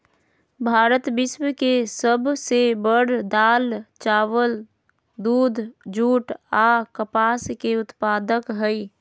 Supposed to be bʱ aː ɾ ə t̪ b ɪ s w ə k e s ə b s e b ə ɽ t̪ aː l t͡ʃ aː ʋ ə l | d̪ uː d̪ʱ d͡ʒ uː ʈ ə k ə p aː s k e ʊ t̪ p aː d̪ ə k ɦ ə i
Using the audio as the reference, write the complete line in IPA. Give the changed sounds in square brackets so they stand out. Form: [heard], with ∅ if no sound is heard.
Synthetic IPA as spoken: bʱ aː ɾ ə t̪ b ɪ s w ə k e s ə b s e b ə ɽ [d̪] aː l t͡ʃ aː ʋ ə l | d̪ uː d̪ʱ d͡ʒ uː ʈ [a] k ə p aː s k e ʊ t̪ p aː d̪ ə k ɦ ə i